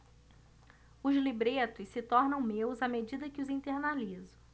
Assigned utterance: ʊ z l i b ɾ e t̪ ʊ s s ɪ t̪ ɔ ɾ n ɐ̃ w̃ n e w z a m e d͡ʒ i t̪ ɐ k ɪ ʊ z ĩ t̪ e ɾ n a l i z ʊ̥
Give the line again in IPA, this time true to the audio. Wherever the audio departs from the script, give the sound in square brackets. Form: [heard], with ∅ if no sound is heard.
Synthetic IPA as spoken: ʊ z l i b ɾ e t̪ ʊ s s ɪ t̪ ɔ ɾ n ɐ̃ w̃ [m] e w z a m e d͡ʒ i [d̪] ɐ k ɪ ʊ z ĩ t̪ e ɾ n a l i z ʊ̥